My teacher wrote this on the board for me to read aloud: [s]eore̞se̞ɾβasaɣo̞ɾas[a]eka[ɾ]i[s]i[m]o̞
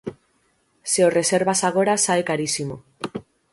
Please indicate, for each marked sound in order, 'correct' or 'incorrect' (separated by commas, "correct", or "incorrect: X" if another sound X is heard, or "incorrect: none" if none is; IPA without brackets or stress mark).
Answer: correct, correct, correct, correct, correct